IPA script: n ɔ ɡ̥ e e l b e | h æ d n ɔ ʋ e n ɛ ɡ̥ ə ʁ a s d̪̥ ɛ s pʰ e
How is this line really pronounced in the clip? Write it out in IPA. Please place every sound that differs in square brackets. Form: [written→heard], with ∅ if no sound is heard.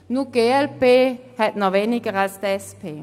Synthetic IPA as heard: n [ɔ→u] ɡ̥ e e l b e | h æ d n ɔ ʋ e n [ɛ→i] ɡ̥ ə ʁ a s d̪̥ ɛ s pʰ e